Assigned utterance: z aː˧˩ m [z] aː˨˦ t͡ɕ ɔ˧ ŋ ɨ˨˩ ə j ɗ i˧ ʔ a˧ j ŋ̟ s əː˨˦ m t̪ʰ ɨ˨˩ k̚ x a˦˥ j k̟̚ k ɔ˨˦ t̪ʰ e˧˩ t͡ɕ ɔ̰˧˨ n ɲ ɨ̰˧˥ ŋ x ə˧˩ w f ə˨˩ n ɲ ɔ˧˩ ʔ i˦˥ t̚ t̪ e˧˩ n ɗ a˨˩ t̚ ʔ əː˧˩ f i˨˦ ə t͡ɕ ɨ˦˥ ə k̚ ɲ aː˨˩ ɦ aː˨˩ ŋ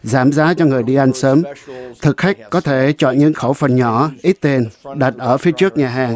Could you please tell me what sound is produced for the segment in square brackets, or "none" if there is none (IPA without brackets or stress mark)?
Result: z